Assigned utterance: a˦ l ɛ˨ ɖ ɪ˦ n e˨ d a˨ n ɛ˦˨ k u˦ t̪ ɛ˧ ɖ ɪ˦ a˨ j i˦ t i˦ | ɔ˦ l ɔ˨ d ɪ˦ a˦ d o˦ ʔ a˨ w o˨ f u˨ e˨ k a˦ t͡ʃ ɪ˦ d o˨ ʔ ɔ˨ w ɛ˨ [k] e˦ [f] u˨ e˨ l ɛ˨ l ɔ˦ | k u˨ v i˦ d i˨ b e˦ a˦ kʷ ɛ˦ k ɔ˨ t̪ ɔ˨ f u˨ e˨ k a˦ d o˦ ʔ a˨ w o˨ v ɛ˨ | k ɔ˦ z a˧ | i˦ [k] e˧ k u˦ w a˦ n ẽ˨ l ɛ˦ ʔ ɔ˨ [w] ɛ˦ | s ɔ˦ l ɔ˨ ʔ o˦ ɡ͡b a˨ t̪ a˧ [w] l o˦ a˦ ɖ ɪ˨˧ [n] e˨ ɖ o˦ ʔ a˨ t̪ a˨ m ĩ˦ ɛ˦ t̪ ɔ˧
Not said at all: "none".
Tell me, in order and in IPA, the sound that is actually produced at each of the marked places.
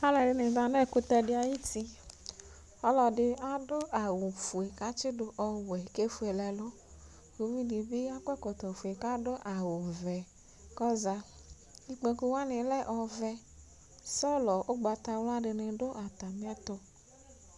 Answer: k, f, k͡p, v, w, n

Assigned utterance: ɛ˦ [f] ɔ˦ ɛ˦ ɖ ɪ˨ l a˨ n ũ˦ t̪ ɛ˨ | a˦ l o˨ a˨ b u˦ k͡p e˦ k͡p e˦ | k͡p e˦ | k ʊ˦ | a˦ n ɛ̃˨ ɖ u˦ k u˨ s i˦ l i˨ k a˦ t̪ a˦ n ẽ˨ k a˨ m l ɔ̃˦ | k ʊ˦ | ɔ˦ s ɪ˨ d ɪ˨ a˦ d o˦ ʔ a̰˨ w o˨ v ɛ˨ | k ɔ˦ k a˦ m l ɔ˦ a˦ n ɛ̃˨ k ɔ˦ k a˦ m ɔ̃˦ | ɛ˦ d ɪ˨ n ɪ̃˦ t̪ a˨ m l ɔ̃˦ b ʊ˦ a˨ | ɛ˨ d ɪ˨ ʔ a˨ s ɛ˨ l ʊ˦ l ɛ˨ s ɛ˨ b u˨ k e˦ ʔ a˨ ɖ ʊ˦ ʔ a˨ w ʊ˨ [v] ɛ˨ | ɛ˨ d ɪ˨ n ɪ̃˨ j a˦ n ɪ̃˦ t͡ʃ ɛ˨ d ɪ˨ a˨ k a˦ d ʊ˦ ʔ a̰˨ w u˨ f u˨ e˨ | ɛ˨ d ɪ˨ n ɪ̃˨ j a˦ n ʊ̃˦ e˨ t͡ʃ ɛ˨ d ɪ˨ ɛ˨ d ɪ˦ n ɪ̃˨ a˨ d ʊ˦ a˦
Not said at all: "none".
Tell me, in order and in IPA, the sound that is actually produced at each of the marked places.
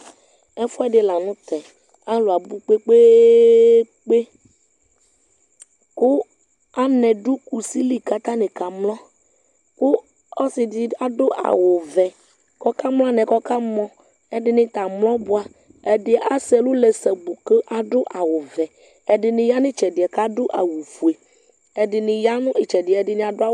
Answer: f, v

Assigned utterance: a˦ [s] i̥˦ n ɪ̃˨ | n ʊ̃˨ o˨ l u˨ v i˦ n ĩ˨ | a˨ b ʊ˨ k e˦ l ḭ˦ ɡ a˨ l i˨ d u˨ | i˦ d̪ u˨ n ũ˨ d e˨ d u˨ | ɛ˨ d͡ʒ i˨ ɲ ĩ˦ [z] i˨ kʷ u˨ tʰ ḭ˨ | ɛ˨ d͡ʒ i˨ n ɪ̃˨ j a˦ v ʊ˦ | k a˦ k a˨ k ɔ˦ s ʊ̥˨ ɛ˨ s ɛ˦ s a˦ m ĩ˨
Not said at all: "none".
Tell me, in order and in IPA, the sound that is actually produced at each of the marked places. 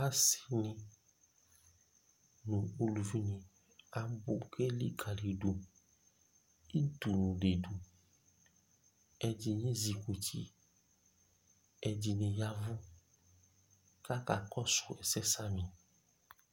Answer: s, z

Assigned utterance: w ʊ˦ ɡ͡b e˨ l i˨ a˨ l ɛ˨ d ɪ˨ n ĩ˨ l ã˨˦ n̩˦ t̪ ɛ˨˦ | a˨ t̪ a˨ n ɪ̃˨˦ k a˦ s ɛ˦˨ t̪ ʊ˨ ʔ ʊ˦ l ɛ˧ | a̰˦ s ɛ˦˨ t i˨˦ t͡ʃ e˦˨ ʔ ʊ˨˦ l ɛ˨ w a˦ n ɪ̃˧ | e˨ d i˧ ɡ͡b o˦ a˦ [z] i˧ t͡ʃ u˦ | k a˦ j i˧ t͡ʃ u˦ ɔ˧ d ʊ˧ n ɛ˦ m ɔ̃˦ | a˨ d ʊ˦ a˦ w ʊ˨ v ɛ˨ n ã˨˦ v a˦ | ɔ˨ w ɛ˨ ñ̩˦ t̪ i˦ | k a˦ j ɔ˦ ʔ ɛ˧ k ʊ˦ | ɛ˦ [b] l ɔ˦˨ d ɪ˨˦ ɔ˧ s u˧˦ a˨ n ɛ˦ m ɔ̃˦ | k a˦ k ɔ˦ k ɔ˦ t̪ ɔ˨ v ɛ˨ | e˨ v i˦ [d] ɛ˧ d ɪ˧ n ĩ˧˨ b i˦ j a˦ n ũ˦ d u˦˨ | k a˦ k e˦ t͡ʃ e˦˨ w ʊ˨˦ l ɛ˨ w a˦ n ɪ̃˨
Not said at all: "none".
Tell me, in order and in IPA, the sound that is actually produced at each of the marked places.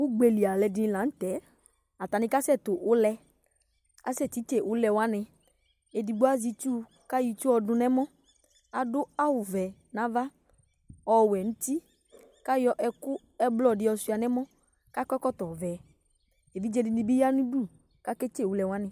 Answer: z, b, d͡ʒ

